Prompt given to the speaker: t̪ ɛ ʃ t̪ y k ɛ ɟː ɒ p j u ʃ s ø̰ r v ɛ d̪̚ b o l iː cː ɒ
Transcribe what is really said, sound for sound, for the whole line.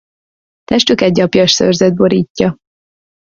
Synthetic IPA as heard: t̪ ɛ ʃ t̪ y k ɛ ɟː ɒ p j ɒ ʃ s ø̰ r z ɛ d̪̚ b o ɾ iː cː ɒ